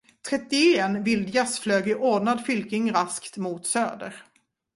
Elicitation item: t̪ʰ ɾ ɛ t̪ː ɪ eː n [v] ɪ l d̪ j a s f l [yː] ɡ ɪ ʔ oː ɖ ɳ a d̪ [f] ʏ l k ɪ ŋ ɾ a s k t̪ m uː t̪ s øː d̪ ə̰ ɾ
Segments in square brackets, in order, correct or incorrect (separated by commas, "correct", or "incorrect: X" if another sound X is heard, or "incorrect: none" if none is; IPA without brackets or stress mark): correct, incorrect: øː, correct